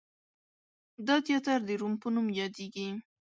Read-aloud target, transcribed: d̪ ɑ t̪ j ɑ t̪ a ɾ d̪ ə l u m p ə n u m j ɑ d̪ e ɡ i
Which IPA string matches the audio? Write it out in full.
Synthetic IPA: d̪ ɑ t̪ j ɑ t̪ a ɾ d̪ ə ɾ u m p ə n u m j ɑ d̪ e ɡ i